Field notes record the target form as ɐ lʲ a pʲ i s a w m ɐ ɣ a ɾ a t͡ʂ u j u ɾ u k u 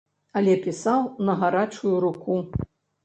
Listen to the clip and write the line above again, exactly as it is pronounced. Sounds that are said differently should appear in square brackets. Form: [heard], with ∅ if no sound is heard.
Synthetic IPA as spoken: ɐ lʲ [ɛ] pʲ i s a w [n] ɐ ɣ a ɾ a t͡ʂ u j u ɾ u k u